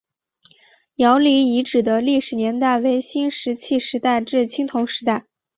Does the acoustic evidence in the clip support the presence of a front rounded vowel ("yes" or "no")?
no